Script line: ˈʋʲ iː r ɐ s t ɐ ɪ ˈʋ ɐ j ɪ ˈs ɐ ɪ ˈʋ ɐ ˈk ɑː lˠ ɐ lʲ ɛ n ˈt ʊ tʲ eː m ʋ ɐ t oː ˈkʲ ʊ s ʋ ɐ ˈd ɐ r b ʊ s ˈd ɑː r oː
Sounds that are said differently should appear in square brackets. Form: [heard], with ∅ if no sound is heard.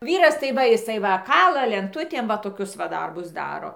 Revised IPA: ˈʋʲ iː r ɐ s t ɐ ɪ ˈʋ ɐ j ɪ ˈs ɐ ɪ ˈʋ ɐ ˈk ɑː lˠ ɐ lʲ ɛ n ˈt ʊ tʲ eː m ʋ ɐ t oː ˈkʲ ʊ s ʋ ɐ ˈd ɐ r b ʊ s ˈd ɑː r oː